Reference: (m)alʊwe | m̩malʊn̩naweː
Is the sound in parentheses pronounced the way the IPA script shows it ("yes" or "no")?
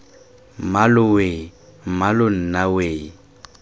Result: yes